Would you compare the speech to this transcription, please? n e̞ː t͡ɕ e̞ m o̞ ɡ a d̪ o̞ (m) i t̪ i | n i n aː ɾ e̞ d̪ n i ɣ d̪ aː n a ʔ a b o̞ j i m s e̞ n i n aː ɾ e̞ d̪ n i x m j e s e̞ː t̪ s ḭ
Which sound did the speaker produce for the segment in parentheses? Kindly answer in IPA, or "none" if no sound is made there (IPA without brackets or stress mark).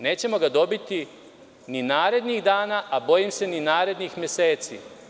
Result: b